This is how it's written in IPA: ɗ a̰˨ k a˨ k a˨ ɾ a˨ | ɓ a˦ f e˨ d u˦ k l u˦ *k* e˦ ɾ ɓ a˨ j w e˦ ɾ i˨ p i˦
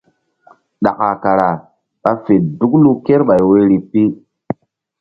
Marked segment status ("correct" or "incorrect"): correct